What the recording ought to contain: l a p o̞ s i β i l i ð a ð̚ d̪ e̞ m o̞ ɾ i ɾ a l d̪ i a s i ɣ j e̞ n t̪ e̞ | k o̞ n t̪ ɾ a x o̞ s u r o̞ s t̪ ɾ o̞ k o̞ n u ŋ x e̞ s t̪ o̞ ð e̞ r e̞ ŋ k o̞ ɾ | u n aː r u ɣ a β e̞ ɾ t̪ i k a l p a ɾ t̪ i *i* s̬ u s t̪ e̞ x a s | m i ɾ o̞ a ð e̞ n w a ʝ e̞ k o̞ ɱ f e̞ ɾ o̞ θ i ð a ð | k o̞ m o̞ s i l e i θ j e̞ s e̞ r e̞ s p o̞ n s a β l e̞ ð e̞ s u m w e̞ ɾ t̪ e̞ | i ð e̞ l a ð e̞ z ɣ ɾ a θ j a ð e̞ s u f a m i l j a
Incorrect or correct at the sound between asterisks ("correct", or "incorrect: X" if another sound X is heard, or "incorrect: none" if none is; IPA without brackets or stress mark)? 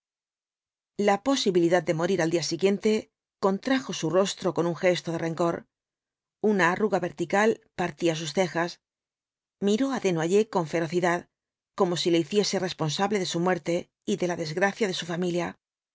incorrect: a